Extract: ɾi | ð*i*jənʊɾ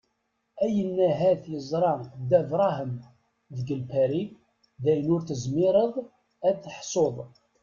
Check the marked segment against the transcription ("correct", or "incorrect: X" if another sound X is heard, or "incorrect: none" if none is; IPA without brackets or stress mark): incorrect: æ